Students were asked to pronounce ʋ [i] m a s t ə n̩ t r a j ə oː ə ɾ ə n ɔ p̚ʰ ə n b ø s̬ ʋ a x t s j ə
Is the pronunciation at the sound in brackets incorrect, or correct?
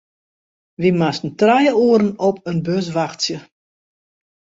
correct